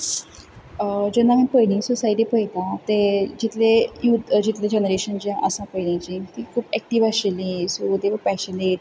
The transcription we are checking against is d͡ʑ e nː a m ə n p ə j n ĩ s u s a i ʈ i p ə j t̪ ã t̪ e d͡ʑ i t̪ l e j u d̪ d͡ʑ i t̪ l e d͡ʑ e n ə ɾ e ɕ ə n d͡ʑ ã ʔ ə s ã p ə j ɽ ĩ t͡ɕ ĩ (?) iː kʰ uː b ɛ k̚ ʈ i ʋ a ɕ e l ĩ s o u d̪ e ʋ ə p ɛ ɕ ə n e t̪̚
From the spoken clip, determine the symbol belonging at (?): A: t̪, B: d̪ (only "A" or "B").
A